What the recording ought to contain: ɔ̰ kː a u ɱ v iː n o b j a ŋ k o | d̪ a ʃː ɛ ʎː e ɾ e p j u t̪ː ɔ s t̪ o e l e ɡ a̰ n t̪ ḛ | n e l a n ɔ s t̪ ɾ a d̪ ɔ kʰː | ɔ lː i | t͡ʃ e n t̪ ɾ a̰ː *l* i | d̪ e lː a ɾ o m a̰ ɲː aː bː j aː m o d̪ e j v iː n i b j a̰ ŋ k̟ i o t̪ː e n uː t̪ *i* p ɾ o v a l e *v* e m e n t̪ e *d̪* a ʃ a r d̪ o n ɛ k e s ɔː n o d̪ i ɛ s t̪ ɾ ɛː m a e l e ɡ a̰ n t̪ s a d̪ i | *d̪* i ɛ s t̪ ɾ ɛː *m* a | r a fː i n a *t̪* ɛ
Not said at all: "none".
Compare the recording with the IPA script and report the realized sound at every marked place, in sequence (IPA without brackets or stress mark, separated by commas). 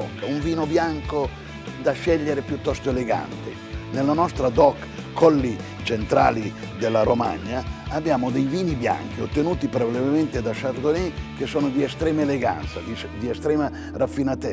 l, i, v, d̪, d̪, m, t̪